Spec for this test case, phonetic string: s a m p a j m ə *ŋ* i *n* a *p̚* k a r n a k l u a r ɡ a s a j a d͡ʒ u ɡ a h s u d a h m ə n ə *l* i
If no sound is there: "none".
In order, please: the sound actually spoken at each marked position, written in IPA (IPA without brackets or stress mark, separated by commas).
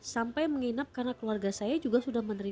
ŋ, n, p̚, ɾ